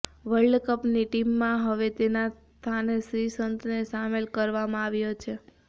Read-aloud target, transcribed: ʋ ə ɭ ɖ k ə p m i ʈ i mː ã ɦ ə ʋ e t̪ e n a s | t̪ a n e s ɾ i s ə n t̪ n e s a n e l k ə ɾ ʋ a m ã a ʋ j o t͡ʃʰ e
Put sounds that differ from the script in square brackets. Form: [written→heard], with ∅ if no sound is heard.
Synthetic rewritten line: ʋ ə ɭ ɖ k ə p [m→n] i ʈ i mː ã ɦ ə ʋ e t̪ e n a s | [t̪→t̪ʰ] a n e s ɾ i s ə n t̪ n e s a [n→m] e l k ə ɾ ʋ a m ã a ʋ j o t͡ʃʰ e